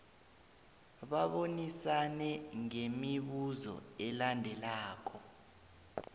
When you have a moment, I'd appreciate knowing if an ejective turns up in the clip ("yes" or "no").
no